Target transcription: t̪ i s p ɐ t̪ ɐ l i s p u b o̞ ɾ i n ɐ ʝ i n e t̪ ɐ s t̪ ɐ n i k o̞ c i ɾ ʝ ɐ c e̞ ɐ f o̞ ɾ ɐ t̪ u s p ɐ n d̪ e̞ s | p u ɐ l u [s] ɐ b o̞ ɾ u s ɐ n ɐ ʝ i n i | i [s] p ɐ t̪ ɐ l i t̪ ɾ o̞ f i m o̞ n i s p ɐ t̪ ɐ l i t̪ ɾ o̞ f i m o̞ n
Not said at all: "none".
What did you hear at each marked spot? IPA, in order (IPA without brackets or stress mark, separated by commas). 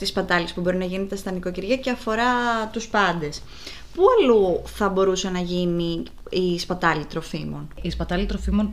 θ, s